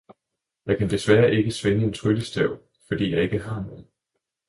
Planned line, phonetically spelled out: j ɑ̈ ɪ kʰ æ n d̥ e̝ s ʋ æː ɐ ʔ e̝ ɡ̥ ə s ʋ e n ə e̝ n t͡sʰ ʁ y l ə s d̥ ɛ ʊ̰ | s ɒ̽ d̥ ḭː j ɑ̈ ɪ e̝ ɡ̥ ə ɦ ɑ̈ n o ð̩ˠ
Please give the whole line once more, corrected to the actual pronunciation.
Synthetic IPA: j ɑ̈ ɪ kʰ æ n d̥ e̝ s ʋ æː ɐ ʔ e̝ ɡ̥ ə s ʋ e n ə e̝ n t͡sʰ ʁ y l ə s d̥ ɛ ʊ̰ | f ɒ̽ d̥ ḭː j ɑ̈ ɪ e̝ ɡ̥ ə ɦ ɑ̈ n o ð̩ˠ